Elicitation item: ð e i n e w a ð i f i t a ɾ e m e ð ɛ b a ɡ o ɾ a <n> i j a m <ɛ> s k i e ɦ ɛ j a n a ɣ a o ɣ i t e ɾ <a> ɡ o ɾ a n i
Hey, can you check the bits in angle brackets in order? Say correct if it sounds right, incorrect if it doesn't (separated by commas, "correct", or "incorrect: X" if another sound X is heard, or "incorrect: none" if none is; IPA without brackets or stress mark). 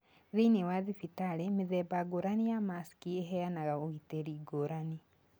correct, incorrect: a, incorrect: i